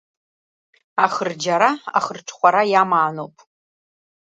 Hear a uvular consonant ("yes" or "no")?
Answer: yes